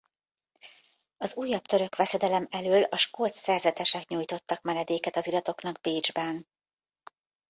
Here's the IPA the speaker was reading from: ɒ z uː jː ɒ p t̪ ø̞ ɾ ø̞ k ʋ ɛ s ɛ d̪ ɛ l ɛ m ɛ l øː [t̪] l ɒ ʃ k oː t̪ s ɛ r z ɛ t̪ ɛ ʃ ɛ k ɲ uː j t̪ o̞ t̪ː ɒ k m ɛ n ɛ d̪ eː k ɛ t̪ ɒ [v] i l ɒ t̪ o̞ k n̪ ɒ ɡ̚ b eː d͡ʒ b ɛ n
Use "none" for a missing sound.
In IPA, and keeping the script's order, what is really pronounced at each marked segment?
none, z

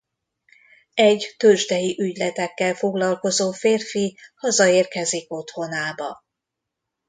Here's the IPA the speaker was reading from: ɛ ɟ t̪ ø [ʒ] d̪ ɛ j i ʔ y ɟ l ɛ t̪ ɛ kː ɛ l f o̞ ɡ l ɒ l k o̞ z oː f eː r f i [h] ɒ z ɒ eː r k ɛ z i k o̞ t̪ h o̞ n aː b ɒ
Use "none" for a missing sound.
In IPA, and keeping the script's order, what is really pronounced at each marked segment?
ʒ, h

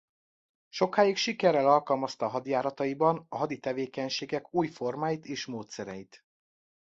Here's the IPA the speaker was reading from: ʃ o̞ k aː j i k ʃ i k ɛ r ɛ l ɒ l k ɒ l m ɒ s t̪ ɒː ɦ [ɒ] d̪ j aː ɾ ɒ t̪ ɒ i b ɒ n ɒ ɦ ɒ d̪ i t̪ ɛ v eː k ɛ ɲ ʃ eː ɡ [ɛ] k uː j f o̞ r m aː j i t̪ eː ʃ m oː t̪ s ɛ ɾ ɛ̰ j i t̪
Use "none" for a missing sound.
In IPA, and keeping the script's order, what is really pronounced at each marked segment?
ɒ, ɛ

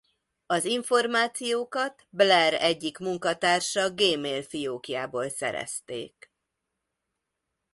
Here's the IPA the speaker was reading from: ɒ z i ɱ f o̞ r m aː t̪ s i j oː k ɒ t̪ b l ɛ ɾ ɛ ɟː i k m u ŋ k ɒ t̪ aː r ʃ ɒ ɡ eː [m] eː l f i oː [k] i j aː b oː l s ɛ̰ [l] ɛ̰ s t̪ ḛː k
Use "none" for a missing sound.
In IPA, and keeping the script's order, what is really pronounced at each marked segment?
m, k, ɾ

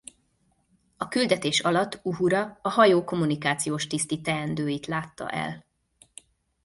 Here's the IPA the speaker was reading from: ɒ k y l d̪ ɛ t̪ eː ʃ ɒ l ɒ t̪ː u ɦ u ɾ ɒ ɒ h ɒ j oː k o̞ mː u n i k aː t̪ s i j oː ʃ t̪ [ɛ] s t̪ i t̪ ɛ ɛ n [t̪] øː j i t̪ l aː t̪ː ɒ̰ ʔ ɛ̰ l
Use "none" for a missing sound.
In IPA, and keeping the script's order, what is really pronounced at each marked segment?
i, d̪

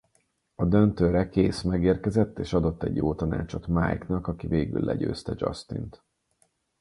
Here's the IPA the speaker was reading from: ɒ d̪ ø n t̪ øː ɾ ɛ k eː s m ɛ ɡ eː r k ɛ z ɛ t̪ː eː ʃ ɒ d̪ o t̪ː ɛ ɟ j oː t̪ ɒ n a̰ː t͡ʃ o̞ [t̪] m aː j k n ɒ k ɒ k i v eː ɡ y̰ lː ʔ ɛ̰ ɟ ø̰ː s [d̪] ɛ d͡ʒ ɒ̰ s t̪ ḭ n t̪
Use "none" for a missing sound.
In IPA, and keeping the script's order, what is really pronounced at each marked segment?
t̪, t̪

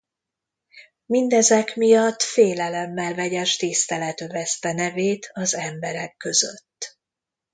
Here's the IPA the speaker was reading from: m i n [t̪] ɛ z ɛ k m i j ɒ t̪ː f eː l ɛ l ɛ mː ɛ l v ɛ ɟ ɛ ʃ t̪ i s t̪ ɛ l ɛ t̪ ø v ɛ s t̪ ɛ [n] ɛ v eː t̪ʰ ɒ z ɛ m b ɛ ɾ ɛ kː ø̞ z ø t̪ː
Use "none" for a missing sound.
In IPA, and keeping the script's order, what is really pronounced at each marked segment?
d̪, n

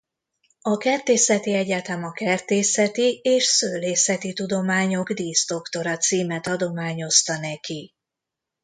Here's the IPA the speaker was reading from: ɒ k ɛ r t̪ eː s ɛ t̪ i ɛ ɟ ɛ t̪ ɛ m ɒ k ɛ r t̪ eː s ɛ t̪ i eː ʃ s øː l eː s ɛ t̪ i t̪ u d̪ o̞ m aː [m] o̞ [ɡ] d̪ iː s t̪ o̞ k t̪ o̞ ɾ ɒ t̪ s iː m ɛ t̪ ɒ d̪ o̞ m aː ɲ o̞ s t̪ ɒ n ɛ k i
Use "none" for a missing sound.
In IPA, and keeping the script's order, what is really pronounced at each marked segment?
ɲ, ɡ

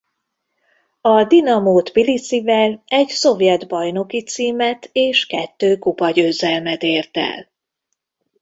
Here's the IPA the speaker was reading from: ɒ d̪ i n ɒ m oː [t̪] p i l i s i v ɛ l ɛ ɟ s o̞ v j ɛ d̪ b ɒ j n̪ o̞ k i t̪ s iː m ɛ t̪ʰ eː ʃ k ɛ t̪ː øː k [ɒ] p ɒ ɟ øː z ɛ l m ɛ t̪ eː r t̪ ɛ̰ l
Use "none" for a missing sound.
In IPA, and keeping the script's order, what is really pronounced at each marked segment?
t̪, u

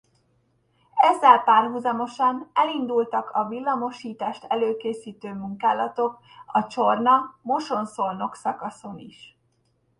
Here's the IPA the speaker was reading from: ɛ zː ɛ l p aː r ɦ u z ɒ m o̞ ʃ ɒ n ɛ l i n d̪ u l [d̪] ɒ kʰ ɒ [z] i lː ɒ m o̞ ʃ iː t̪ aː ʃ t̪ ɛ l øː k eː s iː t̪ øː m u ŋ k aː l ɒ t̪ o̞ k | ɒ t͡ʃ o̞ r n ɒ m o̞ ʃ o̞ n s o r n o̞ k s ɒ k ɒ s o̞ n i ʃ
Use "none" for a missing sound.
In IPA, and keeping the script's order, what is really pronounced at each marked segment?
t̪, v

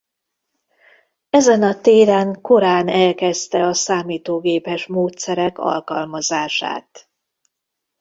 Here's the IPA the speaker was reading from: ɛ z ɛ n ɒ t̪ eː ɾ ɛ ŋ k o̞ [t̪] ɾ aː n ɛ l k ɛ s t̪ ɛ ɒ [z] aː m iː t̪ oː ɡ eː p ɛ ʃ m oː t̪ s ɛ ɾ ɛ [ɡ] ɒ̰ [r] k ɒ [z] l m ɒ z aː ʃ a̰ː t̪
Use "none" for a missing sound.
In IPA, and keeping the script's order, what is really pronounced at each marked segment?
none, s, k, l, none

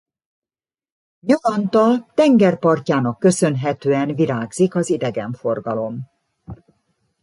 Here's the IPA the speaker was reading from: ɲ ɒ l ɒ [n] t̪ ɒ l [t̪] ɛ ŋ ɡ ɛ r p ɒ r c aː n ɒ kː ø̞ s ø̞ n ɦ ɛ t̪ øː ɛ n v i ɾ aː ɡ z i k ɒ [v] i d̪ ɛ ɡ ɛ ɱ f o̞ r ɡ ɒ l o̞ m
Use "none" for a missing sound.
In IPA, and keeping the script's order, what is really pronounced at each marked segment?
n, t̪, z

